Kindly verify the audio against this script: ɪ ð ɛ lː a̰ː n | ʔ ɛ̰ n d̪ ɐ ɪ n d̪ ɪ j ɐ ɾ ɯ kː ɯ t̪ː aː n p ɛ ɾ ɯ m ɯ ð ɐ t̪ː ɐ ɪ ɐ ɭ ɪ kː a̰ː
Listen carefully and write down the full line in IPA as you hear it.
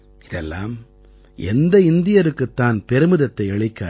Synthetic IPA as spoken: ɪ ð ɛ lː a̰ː m | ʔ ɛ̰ n d̪ ɐ ɪ n d̪ ɪ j ɐ ɾ ɯ kː ɯ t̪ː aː n p ɛ ɾ ɯ m ɯ ð ɐ t̪ː ɐ ɪ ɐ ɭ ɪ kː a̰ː

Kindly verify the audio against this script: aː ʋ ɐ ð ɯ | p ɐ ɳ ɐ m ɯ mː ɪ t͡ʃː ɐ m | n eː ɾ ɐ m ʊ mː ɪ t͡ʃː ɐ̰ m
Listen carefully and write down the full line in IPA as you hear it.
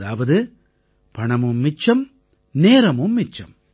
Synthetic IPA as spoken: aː ʋ ɐ ð ɯ | p ɐ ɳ ɐ m ɯ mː ɪ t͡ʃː ɐ m | n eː ɾ ɐ m ɯ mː ɪ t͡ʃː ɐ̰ m

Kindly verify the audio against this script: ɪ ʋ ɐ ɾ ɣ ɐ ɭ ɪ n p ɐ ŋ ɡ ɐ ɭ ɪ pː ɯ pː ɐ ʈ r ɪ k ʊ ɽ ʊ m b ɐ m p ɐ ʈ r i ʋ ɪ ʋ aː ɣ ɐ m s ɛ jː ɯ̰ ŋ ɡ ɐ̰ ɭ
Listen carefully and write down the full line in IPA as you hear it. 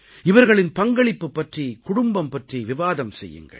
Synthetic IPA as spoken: ɪ ʋ ɐ ɾ ɣ ɐ ɭ ɪ n p ɐ ŋ ɡ ɐ ɭ ɪ pː ɯ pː ɐ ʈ r i k ʊ ɽ ʊ m b ɐ m p ɐ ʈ r i ʋ ɪ ʋ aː ð ɐ m s ɛ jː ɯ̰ ŋ ɡ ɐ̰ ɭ

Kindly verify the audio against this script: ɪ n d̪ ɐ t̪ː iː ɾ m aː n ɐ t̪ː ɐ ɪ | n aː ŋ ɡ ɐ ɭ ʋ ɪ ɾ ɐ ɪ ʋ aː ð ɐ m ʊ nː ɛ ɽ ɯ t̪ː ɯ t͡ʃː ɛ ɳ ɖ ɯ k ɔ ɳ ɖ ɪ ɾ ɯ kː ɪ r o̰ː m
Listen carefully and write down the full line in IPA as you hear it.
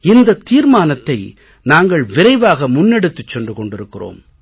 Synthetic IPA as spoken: ɪ n d̪ ɐ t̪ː iː ɾ m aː n ɐ t̪ː ɐ ɪ | n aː ŋ ɡ ɐ ɭ ʋ ɪ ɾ ɐ ɪ ʋ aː ɣ ɐ m ʊ nː ɛ ɽ ɯ t̪ː ɯ t͡ʃː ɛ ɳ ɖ ɯ k ɔ ɳ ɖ ɪ ɾ ɯ kː ɪ r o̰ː m

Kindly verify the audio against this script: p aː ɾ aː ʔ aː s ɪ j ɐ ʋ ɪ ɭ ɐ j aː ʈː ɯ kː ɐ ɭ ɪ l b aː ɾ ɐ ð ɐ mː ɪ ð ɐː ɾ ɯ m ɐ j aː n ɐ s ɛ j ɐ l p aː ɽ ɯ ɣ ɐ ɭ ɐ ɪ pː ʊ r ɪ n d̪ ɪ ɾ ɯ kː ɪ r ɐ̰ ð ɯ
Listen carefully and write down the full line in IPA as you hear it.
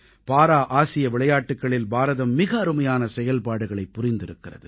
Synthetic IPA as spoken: p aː ɾ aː ʔ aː s ɪ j ɐ ʋ ɪ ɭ ɐ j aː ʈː ɯ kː ɐ ɭ ɪ l b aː ɾ ɐ ð ɐ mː ɪ ɣ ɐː ɾ ɯ m ɐ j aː n ɐ s ɛ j ɐ l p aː ɽ ɯ ɣ ɐ ɭ ɐ ɪ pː ʊ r ɪ n d̪ ɪ ɾ ɯ kː ɪ r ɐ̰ ð ɯ

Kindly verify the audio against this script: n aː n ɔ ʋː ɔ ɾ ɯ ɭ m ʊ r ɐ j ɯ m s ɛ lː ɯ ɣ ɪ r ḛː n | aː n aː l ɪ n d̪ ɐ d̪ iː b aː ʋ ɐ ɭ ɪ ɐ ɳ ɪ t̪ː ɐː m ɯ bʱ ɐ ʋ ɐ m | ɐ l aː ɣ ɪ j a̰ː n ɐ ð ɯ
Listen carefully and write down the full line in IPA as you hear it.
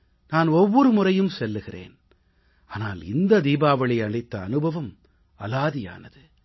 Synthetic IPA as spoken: n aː n ɔ ʋː ɔ ɾ ɯ m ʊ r ɐ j ɯ m s ɛ lː ɯ ɣ ɪ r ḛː n | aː n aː l ɪ n d̪ ɐ d̪ iː b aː ʋ ɐ ɭ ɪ ɐ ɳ ɪ t̪ː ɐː n ɯ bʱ ɐ ʋ ɐ m | ɐ l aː ð ɪ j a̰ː n ɐ ð ɯ

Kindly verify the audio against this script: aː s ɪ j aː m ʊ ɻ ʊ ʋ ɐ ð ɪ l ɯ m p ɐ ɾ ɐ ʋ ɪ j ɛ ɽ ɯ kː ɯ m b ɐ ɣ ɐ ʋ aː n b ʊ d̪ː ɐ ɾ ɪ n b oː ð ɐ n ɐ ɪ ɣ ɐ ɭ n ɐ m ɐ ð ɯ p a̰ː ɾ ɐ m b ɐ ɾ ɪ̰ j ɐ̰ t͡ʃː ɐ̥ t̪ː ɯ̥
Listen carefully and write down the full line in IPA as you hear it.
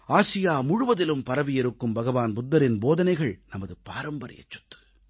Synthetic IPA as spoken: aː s ɪ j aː m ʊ ɻ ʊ ʋ ɐ ð ɪ l ɯ m p ɐ ɾ ɐ ʋ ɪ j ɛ ɾ ɯ kː ɯ m b ɐ ɣ ɐ ʋ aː n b ʊ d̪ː ɐ ɾ ɪ n b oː ð ɐ n ɐ ɪ ɣ ɐ ɭ n ɐ m ɐ ð ɯ p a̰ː ɾ ɐ m b ɐ ɾ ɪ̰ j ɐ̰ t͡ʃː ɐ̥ t̪ː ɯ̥

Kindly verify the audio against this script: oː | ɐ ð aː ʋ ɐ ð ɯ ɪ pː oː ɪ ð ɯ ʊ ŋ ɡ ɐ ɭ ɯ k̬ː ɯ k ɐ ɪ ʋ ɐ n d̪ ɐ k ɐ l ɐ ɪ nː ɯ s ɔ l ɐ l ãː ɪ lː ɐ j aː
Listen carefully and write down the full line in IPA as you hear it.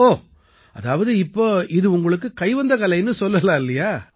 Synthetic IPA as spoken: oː | ɐ ð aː ʋ ɐ ð ɯ ɪ pː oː ɪ ð ɯ ʊ ŋ ɡ ɐ ɭ ɯ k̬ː ɯ k ɐ ɪ ʋ ɐ n d̪ ɐ k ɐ l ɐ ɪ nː ɯ s ɔ lː ɐ l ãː ɪ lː ɐ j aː

